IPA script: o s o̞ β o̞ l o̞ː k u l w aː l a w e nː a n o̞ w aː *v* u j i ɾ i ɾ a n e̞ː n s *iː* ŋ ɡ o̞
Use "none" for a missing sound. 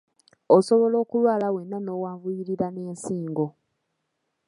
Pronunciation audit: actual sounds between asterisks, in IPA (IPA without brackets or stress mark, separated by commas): v, iː